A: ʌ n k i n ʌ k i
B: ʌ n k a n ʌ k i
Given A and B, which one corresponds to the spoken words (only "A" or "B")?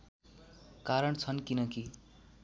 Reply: A